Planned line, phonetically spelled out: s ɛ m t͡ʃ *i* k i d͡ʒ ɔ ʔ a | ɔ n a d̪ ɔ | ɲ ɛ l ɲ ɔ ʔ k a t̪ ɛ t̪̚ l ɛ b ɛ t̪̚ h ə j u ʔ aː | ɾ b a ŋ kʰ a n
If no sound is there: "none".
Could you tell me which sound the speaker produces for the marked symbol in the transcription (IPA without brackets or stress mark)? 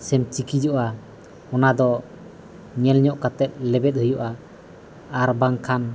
i